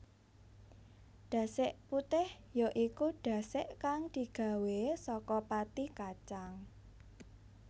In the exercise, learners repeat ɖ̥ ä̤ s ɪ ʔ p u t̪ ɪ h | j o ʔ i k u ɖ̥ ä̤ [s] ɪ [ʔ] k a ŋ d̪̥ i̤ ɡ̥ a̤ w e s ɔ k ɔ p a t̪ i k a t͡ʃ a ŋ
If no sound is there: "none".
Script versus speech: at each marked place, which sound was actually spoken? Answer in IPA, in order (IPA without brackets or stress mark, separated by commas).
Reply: s, ʔ